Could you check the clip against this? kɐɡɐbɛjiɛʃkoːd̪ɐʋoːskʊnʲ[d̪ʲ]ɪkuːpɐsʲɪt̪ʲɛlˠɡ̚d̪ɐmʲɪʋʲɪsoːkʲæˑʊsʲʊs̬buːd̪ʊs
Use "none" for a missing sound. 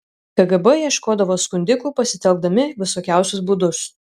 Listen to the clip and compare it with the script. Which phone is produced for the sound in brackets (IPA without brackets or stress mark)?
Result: d̪ʲ